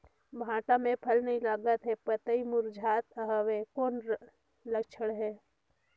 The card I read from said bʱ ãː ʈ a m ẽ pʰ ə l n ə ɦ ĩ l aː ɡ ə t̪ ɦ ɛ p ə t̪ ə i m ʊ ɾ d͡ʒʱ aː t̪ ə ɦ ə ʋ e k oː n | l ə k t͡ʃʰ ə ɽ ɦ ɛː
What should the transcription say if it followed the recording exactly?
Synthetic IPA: bʱ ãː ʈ a m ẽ pʰ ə l n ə ɦ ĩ l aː ɡ ə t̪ ɦ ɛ p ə t̪ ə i m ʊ ɾ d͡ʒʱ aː t̪ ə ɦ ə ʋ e k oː n | l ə k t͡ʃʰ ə ɽ ɦ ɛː